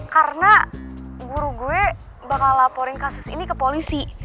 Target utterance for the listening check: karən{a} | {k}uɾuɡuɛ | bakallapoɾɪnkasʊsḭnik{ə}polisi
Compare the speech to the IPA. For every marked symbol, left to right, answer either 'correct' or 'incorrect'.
correct, incorrect, correct

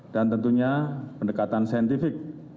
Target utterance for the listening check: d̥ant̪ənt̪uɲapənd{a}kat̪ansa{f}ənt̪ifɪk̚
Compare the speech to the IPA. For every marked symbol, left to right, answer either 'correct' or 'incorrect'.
incorrect, incorrect

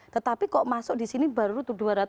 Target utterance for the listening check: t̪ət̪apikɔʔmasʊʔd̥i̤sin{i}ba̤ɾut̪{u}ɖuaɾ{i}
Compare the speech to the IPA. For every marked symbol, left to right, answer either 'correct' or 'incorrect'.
correct, correct, incorrect

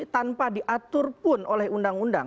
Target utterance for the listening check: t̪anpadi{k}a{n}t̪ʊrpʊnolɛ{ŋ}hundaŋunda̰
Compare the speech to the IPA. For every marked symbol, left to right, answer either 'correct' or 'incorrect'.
incorrect, incorrect, incorrect

